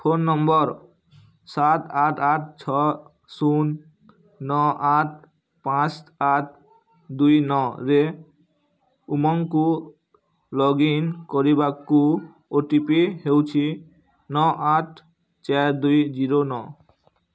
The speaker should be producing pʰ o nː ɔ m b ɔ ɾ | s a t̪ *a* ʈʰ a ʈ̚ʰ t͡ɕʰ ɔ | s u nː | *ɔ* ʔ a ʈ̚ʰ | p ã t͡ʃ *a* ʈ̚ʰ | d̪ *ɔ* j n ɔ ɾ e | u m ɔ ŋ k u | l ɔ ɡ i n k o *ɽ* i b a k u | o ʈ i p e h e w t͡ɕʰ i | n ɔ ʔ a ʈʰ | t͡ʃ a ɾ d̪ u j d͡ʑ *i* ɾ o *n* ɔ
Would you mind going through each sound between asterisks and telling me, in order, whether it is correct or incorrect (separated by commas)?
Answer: correct, correct, correct, incorrect, incorrect, correct, correct